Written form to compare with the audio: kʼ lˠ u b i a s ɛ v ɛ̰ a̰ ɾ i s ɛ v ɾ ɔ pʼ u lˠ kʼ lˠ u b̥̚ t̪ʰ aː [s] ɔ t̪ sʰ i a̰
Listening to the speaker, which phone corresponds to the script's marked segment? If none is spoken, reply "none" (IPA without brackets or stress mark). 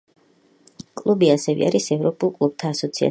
s